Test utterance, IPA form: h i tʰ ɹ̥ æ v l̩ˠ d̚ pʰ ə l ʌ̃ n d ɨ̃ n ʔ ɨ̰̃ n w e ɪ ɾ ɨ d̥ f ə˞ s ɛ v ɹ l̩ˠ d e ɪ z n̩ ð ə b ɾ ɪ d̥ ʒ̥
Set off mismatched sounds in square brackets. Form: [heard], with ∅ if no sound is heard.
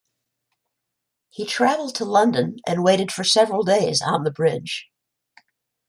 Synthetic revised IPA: h i tʰ ɹ̥ æ v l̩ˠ d̚ [tʰ] ə l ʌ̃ n d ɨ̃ n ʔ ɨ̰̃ n w e ɪ ɾ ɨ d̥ f ə˞ s ɛ v ɹ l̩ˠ d e ɪ z n̩ ð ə b [ɹ] ɪ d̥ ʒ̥